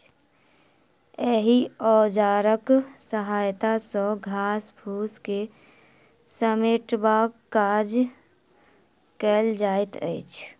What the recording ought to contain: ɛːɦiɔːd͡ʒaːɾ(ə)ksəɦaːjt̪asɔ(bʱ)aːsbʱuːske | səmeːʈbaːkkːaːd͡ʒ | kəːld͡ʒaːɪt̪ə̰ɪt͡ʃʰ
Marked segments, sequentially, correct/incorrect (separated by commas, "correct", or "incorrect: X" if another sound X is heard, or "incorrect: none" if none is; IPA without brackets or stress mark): correct, incorrect: ɡʱ